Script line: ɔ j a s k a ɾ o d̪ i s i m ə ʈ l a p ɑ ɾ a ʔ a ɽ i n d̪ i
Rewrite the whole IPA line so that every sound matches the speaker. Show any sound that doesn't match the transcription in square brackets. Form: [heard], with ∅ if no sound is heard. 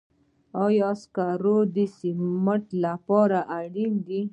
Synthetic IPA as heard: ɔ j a s k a ɾ o d̪ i s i m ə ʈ l a p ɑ ɾ a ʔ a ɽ i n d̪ i